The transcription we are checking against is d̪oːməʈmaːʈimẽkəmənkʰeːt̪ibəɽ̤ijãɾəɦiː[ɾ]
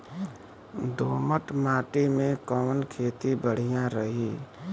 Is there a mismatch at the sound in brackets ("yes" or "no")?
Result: yes